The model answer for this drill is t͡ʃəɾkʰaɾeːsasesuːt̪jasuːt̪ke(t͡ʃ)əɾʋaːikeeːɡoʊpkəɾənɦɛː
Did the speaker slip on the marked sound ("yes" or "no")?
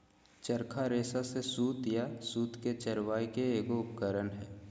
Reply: no